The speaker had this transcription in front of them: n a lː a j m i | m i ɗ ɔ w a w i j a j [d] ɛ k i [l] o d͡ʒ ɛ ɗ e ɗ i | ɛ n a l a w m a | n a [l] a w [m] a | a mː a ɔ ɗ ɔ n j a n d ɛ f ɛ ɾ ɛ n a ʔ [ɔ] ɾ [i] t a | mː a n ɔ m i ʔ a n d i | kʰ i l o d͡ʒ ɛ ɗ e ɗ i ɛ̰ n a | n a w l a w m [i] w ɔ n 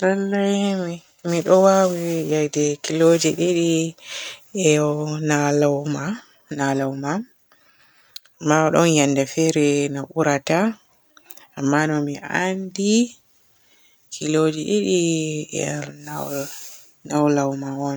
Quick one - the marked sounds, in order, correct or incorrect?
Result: correct, correct, correct, correct, incorrect: u, incorrect: a, incorrect: a

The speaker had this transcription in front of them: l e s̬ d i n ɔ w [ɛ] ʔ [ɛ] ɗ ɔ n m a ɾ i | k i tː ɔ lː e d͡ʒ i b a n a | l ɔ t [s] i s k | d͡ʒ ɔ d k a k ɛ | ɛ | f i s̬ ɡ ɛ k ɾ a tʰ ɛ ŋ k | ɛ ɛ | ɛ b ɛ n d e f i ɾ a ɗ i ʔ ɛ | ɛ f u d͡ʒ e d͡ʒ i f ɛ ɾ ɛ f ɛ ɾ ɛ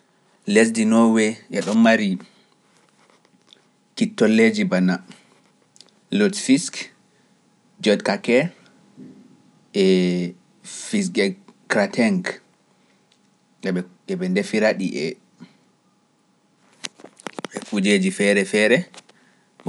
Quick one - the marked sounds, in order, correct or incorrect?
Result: correct, correct, incorrect: f

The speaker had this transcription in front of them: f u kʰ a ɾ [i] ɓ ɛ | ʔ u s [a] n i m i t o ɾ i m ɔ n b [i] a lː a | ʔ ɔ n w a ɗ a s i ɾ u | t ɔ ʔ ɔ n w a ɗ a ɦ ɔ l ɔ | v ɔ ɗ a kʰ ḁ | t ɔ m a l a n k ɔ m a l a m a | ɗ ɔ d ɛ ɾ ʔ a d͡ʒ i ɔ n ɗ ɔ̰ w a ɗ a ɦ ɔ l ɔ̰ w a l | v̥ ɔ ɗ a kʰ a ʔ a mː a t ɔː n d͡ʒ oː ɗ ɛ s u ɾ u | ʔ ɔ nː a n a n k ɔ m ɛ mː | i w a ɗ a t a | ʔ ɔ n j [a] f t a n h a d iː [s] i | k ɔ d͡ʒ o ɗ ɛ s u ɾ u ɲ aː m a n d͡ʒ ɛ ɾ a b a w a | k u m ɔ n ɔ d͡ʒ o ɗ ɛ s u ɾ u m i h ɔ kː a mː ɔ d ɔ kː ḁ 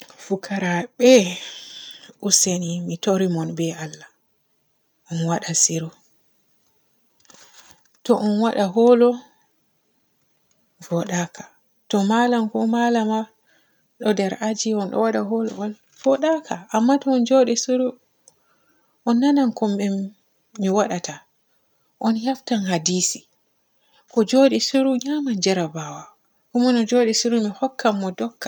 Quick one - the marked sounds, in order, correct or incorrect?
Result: incorrect: a, incorrect: e, incorrect: ɛ, correct, correct

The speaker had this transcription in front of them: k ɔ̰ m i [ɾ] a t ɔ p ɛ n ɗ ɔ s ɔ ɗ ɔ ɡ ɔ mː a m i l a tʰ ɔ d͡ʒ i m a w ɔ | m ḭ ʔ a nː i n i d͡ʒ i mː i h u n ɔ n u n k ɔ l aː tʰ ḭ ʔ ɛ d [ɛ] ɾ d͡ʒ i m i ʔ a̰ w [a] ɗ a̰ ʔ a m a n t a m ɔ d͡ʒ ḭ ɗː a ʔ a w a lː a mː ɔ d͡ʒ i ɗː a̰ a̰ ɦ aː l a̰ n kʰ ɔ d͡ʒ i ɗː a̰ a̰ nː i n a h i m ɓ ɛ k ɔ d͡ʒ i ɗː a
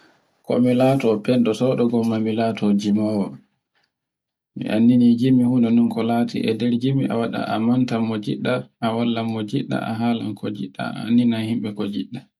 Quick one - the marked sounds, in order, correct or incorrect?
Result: incorrect: l, correct, correct

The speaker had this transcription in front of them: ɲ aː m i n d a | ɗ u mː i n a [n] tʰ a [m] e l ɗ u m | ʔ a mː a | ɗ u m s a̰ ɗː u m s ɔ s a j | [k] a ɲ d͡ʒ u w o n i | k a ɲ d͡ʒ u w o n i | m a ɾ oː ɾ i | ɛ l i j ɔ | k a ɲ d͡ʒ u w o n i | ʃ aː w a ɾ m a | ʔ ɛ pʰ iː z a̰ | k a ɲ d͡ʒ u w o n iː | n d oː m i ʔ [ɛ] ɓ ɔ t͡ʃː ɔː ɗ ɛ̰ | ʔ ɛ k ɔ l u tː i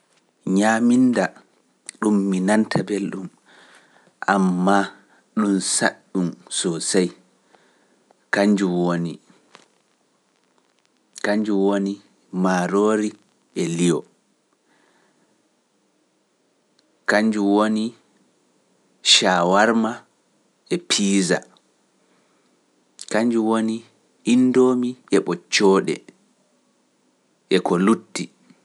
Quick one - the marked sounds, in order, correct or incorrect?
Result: correct, incorrect: b, correct, correct

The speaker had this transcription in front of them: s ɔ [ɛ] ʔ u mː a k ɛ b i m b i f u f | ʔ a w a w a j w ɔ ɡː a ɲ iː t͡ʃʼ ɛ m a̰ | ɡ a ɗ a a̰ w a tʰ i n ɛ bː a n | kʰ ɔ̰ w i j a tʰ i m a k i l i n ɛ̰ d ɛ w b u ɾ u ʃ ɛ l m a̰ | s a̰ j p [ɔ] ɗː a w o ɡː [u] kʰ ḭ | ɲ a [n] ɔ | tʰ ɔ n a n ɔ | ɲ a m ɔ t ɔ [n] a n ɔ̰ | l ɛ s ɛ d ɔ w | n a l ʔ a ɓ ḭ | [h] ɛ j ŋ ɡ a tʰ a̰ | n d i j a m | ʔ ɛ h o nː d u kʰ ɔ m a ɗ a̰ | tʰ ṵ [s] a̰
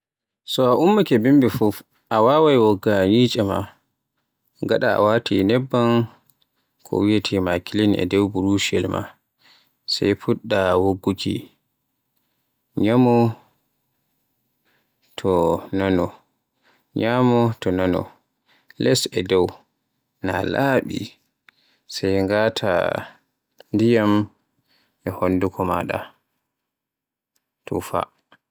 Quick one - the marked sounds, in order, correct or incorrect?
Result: incorrect: a, incorrect: u, correct, incorrect: m, correct, incorrect: s, incorrect: f

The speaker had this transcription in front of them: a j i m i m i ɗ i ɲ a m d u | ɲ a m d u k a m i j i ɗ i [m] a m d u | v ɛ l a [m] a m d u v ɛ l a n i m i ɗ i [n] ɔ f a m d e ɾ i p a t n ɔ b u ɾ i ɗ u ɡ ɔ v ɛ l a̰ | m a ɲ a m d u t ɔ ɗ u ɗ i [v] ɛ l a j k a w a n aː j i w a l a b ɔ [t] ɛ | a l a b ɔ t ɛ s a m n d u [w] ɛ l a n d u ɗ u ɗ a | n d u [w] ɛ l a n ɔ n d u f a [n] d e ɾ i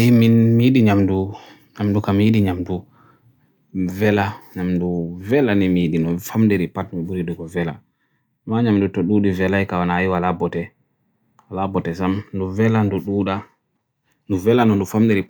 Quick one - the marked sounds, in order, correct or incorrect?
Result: incorrect: ɲ, incorrect: ɲ, correct, correct, correct, incorrect: v, incorrect: v, incorrect: m

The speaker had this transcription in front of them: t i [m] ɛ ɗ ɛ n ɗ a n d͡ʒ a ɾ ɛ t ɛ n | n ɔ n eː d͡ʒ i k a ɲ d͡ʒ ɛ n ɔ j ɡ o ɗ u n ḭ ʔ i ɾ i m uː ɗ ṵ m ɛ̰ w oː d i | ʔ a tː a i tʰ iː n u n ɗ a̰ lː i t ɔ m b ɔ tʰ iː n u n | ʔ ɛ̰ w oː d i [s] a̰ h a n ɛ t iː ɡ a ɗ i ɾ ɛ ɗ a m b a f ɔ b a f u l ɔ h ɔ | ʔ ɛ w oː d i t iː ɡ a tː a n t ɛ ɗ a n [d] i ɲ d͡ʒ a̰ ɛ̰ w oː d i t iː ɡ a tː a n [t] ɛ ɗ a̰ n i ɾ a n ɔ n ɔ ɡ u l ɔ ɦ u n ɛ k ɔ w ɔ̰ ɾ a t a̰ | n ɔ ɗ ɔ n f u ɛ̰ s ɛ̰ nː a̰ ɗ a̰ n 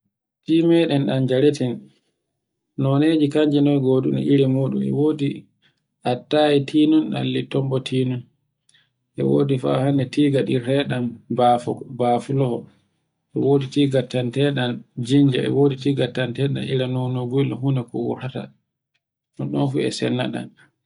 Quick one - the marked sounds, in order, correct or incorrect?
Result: correct, incorrect: f, incorrect: d͡ʒ, correct

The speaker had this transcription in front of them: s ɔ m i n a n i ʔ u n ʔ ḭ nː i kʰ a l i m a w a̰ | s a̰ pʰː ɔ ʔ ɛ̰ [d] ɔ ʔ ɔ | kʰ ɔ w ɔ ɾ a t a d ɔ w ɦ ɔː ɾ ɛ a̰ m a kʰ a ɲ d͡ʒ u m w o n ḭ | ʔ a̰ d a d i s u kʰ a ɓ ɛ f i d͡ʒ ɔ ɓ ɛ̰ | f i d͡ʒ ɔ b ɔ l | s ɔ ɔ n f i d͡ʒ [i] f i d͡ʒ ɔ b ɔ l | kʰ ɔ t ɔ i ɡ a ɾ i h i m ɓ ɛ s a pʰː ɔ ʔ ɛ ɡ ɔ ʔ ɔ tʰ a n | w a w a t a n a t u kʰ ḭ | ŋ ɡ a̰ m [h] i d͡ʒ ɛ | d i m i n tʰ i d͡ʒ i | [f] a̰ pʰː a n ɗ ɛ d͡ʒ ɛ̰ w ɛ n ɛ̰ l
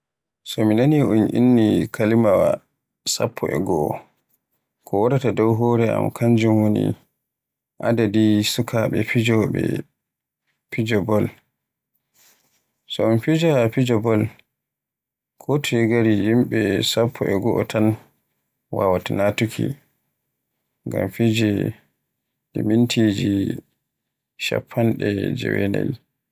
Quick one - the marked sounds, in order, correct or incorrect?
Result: incorrect: ɡ, incorrect: a, incorrect: f, incorrect: ʃ

